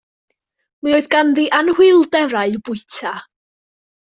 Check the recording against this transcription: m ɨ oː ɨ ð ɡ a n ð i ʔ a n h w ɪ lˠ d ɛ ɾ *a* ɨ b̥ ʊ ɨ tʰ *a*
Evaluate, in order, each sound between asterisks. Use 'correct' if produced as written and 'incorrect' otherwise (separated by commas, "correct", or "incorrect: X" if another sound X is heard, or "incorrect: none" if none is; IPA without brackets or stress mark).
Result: correct, correct